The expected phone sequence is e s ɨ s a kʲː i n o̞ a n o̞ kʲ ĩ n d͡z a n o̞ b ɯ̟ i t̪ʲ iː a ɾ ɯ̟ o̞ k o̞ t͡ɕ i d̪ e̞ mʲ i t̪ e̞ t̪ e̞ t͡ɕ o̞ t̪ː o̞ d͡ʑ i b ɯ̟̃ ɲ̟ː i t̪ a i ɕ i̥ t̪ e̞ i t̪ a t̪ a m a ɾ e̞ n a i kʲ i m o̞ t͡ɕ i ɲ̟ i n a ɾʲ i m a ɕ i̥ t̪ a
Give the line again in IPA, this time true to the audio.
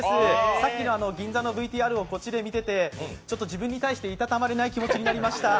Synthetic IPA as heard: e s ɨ s a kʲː i n o̞ a n o̞ ɡʲ ĩ n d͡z a n o̞ b ɯ̟ i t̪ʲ iː a ɾ ɯ̟ o̞ k o̞ t͡ɕ i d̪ e̞ mʲ i t̪ e̞ t̪ e̞ t͡ɕ o̞ t̪ː o̞ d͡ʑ i b ɯ̟̃ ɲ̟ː i t̪ a i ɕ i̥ t̪ e̞ i t̪ a t̪ a m a ɾ e̞ n a i kʲ i m o̞ t͡ɕ i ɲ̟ i n a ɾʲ i m a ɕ i̥ t̪ a